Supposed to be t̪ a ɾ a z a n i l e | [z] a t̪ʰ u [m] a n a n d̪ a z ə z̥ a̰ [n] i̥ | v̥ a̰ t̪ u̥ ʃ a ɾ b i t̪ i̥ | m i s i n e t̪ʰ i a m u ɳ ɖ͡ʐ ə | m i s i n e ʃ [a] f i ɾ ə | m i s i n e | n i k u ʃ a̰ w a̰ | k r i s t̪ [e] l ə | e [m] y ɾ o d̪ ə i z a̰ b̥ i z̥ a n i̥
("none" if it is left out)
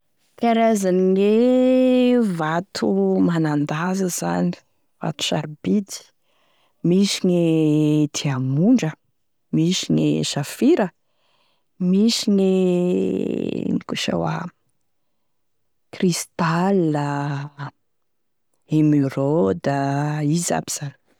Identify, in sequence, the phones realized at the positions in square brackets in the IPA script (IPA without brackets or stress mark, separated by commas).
v, m, n, a, a, m